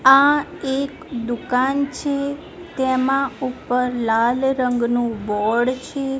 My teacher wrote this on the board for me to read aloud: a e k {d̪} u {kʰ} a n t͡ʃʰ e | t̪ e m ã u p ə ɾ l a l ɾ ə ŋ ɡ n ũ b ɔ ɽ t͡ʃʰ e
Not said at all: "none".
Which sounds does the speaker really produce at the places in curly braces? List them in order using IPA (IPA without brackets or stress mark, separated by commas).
d̪, k